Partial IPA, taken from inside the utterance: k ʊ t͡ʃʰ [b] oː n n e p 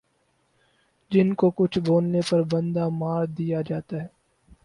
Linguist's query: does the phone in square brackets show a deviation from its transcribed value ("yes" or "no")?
no